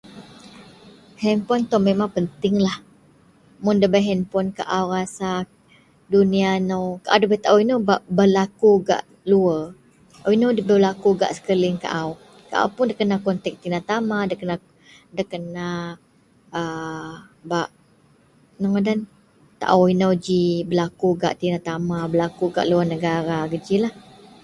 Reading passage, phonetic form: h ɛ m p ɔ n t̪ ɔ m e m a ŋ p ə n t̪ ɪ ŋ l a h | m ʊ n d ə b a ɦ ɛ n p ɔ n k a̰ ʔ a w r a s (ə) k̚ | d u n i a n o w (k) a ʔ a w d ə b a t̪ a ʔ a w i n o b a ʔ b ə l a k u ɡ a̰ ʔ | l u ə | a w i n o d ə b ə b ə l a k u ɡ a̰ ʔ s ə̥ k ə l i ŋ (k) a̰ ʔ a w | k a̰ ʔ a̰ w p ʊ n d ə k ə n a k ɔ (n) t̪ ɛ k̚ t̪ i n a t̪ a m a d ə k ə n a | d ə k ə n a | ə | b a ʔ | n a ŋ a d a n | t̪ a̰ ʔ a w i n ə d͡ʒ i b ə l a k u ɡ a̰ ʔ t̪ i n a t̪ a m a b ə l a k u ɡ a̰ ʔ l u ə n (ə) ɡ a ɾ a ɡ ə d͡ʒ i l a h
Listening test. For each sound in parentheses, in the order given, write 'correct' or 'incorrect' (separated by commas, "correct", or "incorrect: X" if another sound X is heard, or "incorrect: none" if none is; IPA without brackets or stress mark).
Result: incorrect: a, correct, correct, correct, correct